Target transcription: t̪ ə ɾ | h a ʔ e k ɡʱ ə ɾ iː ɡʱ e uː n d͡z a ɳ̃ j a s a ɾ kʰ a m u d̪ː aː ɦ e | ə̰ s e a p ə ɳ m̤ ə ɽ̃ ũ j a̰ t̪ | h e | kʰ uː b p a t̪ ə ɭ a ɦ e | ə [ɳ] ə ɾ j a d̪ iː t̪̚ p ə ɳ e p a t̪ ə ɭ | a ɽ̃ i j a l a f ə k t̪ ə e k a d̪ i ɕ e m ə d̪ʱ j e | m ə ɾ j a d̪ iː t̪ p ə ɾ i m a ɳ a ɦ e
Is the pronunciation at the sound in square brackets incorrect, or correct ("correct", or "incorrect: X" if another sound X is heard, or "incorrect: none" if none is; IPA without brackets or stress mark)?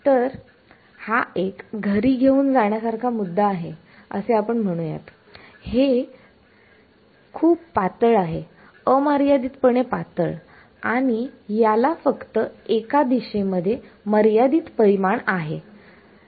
incorrect: m